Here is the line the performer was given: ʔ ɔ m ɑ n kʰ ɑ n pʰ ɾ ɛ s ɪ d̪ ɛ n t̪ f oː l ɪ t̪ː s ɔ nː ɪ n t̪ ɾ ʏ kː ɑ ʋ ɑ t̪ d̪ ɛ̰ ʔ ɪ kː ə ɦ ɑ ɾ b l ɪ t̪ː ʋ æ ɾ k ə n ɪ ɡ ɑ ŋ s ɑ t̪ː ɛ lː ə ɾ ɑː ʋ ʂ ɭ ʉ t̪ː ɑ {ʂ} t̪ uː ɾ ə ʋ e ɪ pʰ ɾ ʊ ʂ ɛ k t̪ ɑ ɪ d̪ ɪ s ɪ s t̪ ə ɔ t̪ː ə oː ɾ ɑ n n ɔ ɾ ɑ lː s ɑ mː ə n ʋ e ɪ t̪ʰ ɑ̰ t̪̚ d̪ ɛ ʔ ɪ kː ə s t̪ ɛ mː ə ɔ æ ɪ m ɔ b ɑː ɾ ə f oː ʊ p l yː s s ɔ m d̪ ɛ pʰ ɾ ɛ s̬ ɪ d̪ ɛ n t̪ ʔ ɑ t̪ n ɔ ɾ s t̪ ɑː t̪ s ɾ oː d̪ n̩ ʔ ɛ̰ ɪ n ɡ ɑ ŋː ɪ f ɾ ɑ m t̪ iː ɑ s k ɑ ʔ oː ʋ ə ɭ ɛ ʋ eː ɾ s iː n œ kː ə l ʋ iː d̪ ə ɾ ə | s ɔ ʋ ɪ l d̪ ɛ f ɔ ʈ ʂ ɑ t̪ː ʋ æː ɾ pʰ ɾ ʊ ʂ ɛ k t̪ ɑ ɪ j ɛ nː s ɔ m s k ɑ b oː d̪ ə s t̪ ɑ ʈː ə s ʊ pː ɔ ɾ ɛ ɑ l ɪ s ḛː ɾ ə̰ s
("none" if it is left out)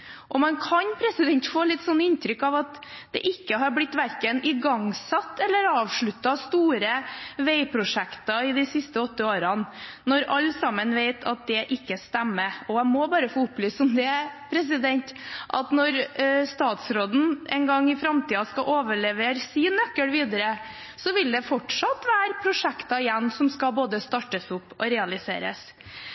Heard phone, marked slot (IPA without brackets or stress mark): s